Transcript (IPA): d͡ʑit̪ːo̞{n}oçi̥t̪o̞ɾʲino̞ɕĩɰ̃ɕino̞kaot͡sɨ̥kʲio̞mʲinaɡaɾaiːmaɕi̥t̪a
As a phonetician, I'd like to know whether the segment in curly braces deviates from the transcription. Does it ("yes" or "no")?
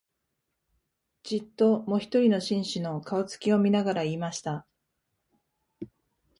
yes